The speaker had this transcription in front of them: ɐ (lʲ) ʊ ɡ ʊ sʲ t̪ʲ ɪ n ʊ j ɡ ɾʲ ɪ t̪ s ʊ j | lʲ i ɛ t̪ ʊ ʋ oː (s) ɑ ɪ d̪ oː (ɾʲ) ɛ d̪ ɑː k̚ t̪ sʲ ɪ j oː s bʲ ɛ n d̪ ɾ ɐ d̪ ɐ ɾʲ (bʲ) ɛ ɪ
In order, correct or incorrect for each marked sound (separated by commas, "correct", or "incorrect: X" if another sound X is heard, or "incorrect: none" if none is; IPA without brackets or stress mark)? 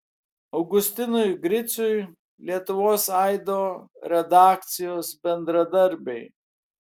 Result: incorrect: none, correct, correct, correct